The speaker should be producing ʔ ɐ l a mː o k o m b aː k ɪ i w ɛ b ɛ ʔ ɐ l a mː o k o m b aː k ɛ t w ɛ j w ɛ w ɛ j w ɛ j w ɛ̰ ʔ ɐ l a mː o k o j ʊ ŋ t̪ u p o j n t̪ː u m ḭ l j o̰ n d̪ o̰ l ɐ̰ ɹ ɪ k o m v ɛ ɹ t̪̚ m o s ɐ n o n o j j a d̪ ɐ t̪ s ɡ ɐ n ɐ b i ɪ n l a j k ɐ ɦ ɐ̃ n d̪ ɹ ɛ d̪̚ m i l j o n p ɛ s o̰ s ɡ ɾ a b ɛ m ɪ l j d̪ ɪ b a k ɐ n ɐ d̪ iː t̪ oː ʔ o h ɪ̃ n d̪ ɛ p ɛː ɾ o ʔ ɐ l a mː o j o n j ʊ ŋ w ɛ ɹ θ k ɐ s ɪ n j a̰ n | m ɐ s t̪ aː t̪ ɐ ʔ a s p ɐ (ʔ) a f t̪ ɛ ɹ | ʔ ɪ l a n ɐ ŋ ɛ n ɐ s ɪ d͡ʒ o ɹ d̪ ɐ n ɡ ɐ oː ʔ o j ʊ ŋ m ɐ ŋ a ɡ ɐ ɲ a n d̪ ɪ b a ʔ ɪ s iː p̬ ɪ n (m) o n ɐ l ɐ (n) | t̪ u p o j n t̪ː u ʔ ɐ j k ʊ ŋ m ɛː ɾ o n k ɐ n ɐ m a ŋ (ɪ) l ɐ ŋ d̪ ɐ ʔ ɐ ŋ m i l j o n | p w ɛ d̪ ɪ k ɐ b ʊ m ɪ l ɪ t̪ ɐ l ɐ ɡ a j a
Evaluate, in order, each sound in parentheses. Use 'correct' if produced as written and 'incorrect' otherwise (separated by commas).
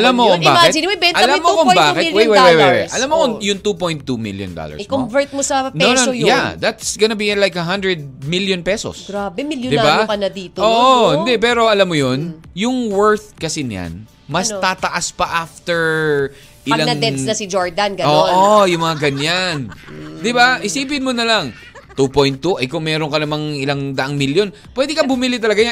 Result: correct, correct, incorrect, correct